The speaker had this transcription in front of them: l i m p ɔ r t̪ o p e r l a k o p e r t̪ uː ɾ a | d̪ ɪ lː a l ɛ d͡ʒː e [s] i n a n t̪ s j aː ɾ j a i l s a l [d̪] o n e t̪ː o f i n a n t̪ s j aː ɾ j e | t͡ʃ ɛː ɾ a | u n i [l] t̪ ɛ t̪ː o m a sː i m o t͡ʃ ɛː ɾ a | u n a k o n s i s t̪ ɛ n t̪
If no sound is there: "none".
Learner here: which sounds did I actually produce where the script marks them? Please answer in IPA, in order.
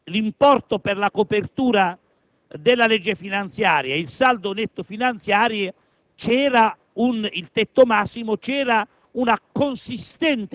f, d̪, l

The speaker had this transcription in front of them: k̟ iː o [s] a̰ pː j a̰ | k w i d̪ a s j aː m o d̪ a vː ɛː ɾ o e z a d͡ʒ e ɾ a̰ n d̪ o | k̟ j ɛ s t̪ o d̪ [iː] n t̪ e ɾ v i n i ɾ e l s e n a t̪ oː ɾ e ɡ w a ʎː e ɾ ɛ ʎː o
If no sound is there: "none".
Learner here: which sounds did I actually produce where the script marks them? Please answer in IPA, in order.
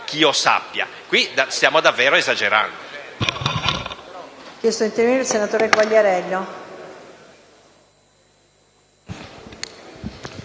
s, i

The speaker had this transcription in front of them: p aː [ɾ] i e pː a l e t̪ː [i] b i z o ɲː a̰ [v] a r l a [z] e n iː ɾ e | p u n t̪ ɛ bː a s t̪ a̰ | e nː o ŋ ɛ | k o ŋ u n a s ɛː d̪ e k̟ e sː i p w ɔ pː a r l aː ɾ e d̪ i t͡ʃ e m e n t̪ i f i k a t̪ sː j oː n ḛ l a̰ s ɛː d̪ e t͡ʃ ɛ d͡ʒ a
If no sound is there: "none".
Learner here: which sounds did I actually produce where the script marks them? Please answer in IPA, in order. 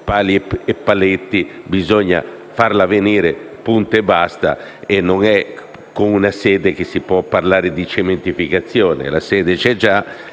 l, i, f, v

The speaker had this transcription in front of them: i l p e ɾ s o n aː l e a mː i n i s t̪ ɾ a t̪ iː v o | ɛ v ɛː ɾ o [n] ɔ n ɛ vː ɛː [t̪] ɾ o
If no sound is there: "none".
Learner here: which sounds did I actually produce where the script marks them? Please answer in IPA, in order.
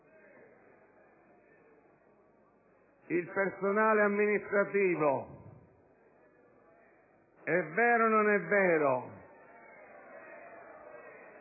n, none

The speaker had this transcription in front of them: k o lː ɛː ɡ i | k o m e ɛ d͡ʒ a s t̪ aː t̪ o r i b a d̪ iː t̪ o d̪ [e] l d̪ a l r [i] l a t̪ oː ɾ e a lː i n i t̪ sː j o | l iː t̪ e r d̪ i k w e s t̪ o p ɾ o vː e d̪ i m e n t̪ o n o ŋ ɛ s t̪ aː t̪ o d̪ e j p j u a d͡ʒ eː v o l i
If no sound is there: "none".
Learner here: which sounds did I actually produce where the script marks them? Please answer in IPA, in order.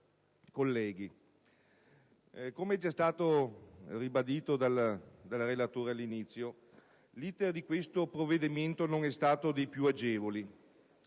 a, e

